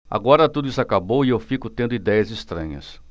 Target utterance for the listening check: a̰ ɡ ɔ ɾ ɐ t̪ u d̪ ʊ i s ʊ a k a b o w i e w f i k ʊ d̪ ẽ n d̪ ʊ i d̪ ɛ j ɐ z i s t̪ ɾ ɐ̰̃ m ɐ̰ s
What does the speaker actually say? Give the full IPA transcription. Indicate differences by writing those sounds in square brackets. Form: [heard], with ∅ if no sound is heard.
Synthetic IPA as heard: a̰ ɡ ɔ ɾ ɐ t̪ u d̪ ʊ i s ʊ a k a b o w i e w f i k ʊ [t̪] ẽ n d̪ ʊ i d̪ ɛ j ɐ z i s t̪ ɾ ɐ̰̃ [ɲ] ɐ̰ s